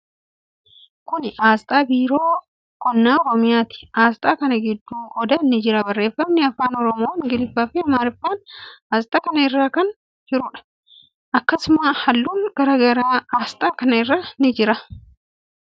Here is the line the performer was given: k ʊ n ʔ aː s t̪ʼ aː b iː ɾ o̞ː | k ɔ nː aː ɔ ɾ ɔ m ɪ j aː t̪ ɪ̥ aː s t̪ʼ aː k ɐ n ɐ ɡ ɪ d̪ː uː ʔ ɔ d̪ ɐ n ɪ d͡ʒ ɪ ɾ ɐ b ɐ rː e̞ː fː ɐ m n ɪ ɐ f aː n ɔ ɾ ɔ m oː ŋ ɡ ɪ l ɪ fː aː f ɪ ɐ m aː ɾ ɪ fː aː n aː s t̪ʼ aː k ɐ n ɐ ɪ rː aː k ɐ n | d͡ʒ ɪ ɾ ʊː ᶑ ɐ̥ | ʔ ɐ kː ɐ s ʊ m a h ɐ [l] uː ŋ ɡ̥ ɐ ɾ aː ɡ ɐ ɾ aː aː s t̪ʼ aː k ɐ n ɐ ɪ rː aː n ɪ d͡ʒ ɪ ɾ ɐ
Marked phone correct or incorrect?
incorrect